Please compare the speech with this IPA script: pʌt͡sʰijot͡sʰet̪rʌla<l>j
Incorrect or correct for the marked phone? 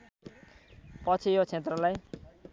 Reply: incorrect: none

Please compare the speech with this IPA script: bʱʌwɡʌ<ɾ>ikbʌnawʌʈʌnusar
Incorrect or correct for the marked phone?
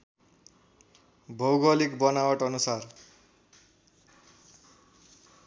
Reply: incorrect: l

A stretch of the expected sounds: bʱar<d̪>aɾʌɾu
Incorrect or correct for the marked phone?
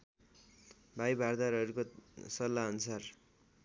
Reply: correct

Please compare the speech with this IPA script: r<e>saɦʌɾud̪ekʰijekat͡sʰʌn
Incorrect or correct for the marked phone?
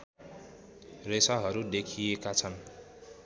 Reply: correct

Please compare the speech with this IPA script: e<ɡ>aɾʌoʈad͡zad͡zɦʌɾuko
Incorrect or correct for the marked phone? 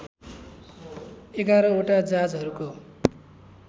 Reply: correct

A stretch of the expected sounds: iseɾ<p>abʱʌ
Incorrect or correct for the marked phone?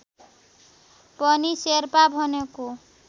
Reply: correct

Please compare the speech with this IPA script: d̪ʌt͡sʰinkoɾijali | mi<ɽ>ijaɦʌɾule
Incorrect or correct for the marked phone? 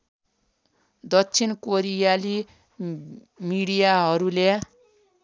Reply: correct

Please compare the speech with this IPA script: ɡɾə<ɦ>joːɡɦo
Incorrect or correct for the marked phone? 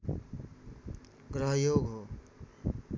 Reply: correct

